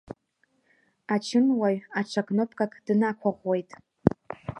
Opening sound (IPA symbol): a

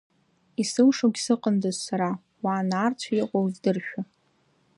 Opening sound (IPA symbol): i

